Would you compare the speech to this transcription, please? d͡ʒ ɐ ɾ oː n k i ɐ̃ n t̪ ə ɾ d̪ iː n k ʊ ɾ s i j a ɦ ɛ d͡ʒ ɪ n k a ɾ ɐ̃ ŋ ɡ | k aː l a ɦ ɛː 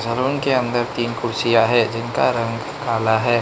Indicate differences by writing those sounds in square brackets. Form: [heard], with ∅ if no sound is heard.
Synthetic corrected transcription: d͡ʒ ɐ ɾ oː n k [e] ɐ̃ n [d̪] ə ɾ [t̪] iː n k ʊ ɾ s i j a ɦ ɛ d͡ʒ ɪ n k a ɾ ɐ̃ ŋ ɡ | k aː l a ɦ ɛː